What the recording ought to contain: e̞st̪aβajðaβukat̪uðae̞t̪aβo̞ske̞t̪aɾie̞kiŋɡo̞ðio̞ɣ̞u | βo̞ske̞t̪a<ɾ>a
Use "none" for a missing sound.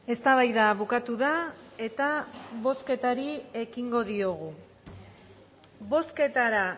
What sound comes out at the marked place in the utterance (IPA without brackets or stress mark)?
ɾ